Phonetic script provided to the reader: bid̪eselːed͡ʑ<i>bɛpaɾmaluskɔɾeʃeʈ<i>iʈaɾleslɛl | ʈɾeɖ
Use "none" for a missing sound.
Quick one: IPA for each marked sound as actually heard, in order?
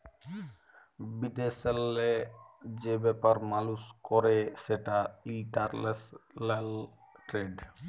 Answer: e, a

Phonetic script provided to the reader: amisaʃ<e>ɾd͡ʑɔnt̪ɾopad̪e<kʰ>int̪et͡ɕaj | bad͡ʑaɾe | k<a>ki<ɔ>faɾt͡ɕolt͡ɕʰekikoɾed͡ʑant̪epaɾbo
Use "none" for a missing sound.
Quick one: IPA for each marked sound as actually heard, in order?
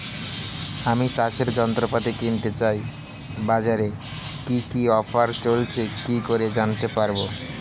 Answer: e, k, i, ɔ

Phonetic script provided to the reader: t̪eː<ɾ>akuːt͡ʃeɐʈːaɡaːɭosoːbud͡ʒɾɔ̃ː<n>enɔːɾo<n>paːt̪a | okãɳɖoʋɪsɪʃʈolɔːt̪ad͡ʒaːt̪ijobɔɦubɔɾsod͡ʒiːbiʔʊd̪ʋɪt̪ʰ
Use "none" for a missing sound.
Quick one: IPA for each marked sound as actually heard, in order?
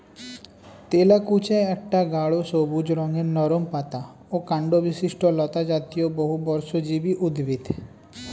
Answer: l, ŋ, m

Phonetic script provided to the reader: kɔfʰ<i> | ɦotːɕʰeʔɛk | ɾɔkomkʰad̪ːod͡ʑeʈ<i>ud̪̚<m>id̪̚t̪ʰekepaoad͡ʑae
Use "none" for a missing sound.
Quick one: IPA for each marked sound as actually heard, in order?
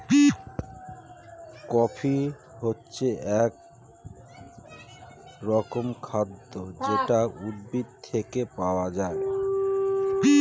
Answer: i, a, b

